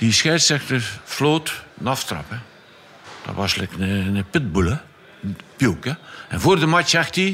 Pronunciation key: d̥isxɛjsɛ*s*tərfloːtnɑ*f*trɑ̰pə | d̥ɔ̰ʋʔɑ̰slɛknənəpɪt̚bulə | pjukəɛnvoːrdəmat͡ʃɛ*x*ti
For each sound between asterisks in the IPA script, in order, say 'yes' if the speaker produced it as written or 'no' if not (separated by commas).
no, yes, yes